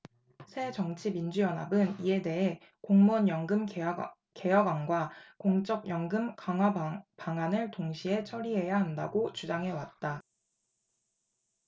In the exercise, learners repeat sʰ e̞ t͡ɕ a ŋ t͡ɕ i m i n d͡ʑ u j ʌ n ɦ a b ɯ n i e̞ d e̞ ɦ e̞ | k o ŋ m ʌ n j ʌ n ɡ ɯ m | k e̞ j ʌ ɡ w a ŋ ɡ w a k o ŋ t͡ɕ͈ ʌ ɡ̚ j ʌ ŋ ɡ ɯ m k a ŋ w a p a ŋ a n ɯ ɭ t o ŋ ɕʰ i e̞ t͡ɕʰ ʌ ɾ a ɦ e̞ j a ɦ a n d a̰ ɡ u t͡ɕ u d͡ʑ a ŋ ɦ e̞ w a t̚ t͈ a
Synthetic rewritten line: sʰ e̞ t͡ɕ ʌ ŋ t͡ɕʰ i m i n d͡ʑ u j ʌ n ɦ a b ɯ n i e̞ d e̞ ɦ e̞ | k o ŋ m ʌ n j ʌ ŋ ɡ ɯ m | k e̞ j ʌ ɡ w a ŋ ɡ w a k o ŋ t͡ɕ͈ ʌ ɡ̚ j ʌ ŋ ɡ ɯ m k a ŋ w a p a ŋ a n ɯ ɭ t o ŋ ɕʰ i e̞ t͡ɕʰ ʌ ɾ i ɦ e̞ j a ɦ a n d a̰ ɡ o t͡ɕ u d͡ʑ a ŋ ɦ e̞ w a t̚ t͈ a